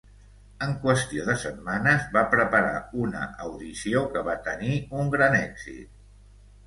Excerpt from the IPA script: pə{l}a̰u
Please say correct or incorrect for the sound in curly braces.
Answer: incorrect